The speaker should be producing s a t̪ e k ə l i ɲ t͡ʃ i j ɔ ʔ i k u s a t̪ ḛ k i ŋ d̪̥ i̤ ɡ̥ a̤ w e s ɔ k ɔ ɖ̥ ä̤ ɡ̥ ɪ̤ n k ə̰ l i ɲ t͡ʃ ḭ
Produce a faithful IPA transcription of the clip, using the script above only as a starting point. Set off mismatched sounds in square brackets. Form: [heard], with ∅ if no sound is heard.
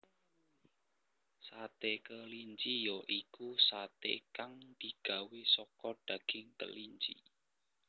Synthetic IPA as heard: s a t̪ e k ə l i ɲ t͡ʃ i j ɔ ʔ i k u s a t̪ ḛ k [a] ŋ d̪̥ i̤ ɡ̥ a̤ w e s ɔ k ɔ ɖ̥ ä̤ ɡ̥ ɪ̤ [ŋ] k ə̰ l i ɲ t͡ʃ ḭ